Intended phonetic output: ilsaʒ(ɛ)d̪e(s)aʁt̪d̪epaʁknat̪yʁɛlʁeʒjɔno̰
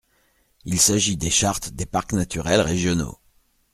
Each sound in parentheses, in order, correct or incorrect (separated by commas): incorrect, incorrect